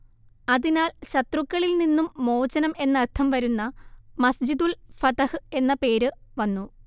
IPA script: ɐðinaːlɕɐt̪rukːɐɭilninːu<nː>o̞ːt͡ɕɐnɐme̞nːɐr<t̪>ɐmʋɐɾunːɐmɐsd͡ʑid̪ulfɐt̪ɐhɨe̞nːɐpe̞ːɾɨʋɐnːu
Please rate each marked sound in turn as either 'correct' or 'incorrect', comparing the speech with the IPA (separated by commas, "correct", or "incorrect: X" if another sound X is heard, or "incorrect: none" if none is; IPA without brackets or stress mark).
incorrect: mː, incorrect: t̪ʰ